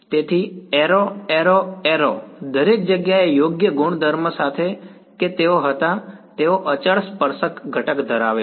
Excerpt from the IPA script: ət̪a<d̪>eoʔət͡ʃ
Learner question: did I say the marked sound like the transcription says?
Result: no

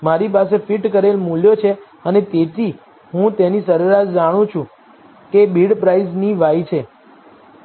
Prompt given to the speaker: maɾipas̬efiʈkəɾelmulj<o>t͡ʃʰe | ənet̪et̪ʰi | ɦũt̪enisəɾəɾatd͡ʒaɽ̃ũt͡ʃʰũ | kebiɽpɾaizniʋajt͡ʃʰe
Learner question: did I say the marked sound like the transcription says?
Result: yes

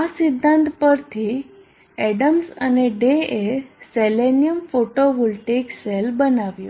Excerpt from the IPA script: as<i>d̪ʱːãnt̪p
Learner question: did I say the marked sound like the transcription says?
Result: yes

